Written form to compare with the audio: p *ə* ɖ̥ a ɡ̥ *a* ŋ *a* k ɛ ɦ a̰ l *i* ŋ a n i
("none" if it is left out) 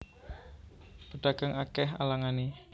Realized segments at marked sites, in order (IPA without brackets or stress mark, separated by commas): ə, a, a, a